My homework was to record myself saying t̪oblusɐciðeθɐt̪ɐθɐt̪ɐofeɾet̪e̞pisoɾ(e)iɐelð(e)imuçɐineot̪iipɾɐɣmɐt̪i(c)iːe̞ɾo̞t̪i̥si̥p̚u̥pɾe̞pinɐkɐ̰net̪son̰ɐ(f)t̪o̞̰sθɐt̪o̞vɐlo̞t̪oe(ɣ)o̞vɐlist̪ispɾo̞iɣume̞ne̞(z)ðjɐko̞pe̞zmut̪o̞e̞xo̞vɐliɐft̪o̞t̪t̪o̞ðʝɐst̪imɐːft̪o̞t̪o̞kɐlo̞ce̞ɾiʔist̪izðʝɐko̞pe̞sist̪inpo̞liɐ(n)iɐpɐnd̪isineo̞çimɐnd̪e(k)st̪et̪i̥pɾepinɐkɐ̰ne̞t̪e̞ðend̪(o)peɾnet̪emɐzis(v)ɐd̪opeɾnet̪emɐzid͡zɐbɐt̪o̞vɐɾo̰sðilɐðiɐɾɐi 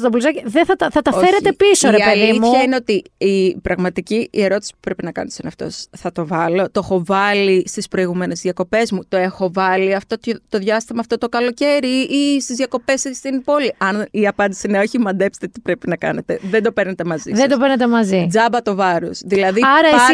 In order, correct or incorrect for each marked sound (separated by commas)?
correct, incorrect, correct, correct, incorrect, correct, correct, incorrect, correct, incorrect